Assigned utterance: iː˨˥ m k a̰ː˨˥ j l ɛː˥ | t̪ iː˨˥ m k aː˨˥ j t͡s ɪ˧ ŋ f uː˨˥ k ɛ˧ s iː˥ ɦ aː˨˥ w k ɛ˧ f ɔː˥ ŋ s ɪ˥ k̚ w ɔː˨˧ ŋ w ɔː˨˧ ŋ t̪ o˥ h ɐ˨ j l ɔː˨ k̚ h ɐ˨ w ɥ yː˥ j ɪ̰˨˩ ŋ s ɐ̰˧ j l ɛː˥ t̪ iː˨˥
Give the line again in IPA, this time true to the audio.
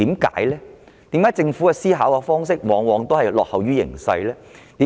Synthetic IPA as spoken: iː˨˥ m k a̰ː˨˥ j l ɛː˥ | t̪ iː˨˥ m k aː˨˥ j t͡s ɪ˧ ŋ f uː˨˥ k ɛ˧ s iː˥ ɦ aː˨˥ w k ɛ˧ f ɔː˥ ŋ s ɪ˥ k̚ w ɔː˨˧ ŋ w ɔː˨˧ ŋ t̪ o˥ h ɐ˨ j l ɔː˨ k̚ h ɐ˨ w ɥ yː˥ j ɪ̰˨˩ ŋ s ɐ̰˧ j l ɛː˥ t̪ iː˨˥

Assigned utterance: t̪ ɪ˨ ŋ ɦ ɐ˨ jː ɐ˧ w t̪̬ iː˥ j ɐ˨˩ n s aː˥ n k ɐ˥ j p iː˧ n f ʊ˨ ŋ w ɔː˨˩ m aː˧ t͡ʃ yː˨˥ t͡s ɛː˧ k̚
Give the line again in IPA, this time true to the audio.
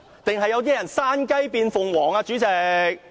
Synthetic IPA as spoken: t̪ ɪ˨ ŋ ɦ ɐ˨ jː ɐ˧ w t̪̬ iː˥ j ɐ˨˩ n s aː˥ n k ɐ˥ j p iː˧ n f ʊ˨ ŋ w ɔː˨˩ ŋ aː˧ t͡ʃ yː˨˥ t͡s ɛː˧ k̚

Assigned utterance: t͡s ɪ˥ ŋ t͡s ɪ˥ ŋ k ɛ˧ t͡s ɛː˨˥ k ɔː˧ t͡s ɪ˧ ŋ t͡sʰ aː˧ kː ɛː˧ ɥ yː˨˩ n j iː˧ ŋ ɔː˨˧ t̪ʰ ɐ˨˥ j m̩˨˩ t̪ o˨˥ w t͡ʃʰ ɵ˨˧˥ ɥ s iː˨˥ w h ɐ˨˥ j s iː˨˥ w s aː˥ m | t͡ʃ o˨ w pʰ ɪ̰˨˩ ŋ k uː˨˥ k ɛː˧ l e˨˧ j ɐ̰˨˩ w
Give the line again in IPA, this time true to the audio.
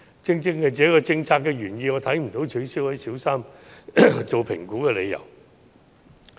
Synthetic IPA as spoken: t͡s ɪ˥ ŋ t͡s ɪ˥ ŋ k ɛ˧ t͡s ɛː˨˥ k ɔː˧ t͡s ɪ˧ ŋ t͡sʰ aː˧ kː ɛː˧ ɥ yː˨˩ n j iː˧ ŋ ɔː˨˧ t̪ʰ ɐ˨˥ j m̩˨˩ t̪ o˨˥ w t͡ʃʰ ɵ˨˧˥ ɥ s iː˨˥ w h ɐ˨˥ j s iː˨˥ w s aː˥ m | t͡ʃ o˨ w pʰ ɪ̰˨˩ ŋ k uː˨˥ k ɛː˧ l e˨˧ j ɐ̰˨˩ w

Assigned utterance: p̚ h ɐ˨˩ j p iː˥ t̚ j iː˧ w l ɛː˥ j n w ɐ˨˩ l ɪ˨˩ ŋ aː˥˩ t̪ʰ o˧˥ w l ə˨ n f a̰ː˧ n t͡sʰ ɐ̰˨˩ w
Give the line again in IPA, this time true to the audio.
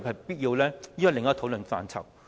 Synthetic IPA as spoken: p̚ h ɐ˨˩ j p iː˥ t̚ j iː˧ w l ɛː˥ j n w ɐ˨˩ l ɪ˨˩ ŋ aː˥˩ t̪ʰ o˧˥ w l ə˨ n f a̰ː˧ n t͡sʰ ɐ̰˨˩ w

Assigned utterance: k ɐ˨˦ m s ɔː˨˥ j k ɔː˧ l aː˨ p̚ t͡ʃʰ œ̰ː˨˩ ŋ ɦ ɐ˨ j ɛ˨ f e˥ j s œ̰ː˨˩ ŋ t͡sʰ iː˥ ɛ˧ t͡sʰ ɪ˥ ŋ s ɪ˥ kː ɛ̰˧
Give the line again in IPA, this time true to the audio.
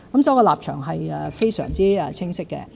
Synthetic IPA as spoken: k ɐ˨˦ m s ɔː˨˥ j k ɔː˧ l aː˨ p̚ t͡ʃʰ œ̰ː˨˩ ŋ ɦ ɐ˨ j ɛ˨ f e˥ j s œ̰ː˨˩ ŋ t͡s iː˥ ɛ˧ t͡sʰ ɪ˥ ŋ s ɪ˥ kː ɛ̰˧

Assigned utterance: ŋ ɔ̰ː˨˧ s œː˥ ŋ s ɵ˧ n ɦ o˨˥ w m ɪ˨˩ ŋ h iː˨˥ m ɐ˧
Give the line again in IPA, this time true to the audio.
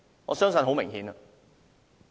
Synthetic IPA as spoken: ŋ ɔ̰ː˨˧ s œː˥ ŋ s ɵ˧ n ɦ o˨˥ w m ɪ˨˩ ŋ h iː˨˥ n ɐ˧

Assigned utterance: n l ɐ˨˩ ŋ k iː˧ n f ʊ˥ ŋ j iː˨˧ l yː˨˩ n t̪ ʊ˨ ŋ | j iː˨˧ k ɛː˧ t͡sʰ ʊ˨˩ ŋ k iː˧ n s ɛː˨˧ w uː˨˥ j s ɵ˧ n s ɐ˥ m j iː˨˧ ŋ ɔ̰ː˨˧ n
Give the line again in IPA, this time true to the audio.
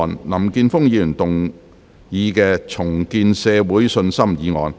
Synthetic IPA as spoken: n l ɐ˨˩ m k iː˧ n f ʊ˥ ŋ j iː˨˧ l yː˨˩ n t̪ ʊ˨ ŋ | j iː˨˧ k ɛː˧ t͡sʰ ʊ˨˩ ŋ k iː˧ n s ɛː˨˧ w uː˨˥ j s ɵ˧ n s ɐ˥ m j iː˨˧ ŋ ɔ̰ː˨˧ n

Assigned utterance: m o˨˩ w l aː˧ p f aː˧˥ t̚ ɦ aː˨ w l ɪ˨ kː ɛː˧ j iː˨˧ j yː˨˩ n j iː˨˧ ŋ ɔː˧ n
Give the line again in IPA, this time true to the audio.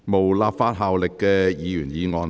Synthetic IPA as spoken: m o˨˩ w l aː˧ p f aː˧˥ t̚ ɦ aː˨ w l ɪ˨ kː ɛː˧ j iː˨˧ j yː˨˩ n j iː˨˧ ŋ ɔː˧ n

